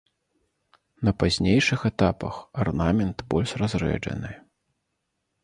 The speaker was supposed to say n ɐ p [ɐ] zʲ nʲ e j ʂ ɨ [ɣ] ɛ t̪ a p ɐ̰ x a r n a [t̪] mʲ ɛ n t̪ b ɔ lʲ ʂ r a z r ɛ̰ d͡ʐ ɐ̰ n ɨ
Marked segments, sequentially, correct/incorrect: incorrect: a, incorrect: x, incorrect: none

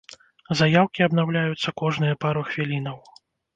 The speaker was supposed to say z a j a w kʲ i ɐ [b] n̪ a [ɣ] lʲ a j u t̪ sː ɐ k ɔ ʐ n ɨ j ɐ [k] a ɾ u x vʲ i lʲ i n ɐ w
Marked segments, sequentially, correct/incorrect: correct, incorrect: w, incorrect: p

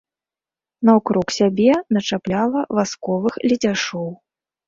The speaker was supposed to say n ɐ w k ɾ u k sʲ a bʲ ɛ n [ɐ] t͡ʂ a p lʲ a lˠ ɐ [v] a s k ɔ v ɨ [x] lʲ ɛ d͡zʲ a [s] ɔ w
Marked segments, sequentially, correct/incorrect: correct, correct, correct, incorrect: ʂ

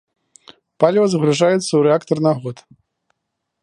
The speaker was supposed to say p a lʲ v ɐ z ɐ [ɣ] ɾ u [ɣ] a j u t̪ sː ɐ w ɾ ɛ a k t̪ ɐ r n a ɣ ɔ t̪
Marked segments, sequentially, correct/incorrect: correct, incorrect: ʐ

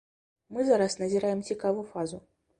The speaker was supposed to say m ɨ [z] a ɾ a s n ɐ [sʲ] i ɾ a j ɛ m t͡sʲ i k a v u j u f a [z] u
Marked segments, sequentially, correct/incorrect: correct, incorrect: zʲ, correct

